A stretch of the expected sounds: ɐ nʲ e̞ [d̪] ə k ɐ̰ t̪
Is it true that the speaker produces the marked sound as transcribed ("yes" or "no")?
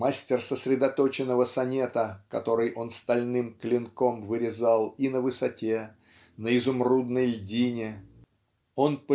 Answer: no